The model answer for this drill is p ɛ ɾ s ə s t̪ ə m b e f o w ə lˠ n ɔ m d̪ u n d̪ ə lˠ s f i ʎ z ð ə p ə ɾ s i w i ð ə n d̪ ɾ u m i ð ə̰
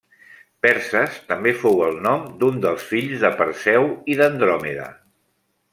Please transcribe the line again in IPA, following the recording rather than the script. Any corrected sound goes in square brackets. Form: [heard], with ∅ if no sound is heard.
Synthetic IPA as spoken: p ɛ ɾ s ə s t̪ ə m b e f o w ə lˠ n ɔ m d̪ u n d̪ ə lˠ s f i ʎ z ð ə p ə ɾ s [ɛ] w i ð ə n d̪ ɾ [ɔ] m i ð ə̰